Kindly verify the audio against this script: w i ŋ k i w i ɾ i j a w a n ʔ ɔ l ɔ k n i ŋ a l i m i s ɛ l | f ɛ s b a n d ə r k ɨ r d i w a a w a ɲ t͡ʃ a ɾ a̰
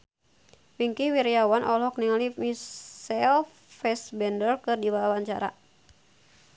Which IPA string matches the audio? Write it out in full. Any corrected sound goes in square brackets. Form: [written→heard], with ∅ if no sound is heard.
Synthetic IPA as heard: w i ŋ k i w i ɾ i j a w a n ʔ ɔ l ɔ k n i ŋ a l i m i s ɛ l | f ɛ s b [a→ɛ] n d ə r k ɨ r d i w a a w a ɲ t͡ʃ a ɾ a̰